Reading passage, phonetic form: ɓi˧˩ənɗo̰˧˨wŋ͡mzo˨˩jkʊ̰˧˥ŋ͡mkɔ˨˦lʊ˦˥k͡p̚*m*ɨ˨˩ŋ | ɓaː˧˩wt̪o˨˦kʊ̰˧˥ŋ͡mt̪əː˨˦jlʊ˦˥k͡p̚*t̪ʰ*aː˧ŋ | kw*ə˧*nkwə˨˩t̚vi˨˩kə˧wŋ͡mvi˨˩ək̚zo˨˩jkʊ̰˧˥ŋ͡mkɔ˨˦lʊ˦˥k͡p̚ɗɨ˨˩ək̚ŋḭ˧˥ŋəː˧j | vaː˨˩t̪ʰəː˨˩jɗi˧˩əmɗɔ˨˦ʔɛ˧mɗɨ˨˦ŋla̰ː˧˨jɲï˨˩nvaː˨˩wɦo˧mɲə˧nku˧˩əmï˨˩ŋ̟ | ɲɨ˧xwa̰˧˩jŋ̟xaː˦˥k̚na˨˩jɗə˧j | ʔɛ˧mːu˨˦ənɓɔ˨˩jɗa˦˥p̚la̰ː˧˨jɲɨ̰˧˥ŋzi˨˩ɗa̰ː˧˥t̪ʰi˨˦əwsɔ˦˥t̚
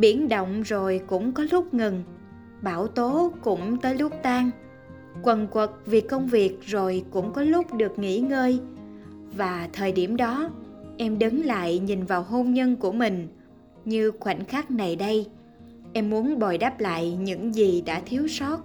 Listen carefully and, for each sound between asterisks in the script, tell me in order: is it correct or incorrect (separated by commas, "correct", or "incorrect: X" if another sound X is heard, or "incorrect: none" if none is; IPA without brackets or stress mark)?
incorrect: ŋ, incorrect: t̪, incorrect: ə˨˩